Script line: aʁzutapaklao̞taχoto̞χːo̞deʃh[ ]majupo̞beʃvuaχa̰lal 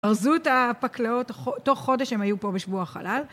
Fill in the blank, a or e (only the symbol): e